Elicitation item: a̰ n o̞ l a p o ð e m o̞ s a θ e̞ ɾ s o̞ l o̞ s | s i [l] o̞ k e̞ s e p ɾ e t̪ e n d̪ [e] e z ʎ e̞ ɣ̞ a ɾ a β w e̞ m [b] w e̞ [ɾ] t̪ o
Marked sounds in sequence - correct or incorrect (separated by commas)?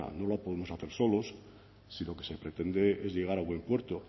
correct, correct, incorrect, correct